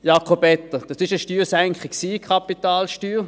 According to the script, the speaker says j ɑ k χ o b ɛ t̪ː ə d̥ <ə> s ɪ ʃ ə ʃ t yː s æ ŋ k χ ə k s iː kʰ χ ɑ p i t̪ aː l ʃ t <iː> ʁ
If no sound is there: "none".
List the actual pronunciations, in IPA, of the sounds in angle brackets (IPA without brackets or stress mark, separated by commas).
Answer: ɑ, yː